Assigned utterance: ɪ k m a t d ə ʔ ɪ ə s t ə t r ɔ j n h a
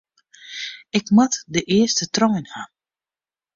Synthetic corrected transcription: ɪ k m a t d ə ʔ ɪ ə s t ə t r ɔ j n h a